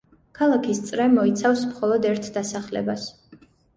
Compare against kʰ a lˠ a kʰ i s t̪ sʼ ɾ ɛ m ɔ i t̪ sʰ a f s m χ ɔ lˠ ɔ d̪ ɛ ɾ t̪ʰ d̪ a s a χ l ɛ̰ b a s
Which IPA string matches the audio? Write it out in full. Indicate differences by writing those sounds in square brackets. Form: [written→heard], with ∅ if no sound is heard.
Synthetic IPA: kʰ a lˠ a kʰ i s t̪ sʼ ɾ ɛ m ɔ i t̪ sʰ a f s m χ ɔ lˠ ɔ d̪ ɛ ɾ t̪ʰ d̪ a s a χ l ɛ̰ b a s

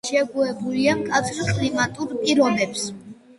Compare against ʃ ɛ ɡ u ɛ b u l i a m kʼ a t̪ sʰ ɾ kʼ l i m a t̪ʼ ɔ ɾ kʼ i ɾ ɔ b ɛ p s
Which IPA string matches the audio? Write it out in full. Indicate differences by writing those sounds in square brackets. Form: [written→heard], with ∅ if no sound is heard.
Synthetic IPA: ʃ ɛ ɡ u ɛ b u l i a m kʼ a t̪ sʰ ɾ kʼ l i m a t̪ʼ [ɔ→u] ɾ [kʼ→pʼ] i ɾ ɔ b ɛ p s

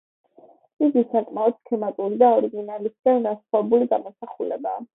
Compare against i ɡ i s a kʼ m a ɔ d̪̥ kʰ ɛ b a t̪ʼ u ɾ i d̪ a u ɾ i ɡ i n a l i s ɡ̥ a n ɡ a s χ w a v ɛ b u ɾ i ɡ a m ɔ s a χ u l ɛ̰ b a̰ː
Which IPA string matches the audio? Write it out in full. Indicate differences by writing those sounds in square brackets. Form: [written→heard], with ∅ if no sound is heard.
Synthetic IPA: i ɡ i s a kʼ m a ɔ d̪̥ kʰ ɛ [b→m] a t̪ʼ u ɾ i d̪ a [u→ɔ] ɾ i ɡ i n a l i s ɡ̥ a n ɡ a s χ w a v ɛ b u [ɾ→l] i ɡ a m ɔ s a χ u l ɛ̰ b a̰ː

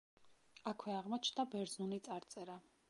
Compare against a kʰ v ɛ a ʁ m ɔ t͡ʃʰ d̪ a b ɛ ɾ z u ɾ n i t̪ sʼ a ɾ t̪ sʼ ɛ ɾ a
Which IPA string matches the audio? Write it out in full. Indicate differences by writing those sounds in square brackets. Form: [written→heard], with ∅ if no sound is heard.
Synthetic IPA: a kʰ [v→w] ɛ a ʁ m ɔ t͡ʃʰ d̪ a b ɛ ɾ z u [ɾ→∅] n i t̪ sʼ a ɾ t̪ sʼ ɛ ɾ a

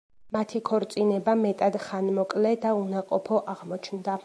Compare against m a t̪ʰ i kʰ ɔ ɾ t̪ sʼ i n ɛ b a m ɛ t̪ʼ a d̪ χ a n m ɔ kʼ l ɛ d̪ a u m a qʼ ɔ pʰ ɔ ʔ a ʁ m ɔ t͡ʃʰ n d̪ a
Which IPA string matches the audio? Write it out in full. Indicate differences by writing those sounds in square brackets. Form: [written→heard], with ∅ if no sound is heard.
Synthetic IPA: m a t̪ʰ i kʰ ɔ ɾ t̪ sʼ i n ɛ b a m ɛ t̪ʼ a d̪ χ a n m ɔ kʼ l ɛ d̪ a u [m→n] a qʼ ɔ pʰ ɔ ʔ a ʁ m ɔ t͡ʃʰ n d̪ a

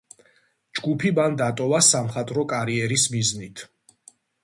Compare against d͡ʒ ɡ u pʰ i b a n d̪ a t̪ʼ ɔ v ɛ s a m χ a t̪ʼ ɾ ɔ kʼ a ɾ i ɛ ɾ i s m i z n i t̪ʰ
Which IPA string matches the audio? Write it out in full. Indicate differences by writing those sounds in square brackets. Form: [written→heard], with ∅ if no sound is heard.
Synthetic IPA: d͡ʒ ɡ u pʰ i b a n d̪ a t̪ʼ ɔ v [ɛ→a] s a m χ a t̪ʼ ɾ ɔ kʼ a ɾ i ɛ ɾ i s m i z n i t̪ʰ

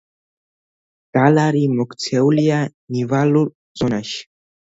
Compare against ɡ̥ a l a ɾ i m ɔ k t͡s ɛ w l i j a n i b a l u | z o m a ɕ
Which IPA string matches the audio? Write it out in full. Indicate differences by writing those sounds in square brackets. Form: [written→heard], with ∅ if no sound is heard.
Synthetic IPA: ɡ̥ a l a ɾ i m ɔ k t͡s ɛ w l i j a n i [b→v] a l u | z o [m→n] a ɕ

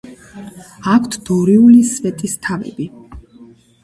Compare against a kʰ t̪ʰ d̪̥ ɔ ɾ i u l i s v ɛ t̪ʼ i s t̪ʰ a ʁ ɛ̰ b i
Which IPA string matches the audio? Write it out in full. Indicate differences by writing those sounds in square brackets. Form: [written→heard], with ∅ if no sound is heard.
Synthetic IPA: a kʰ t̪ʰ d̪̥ ɔ ɾ i u l i s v ɛ t̪ʼ i s t̪ʰ a [ʁ→v] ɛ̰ b i

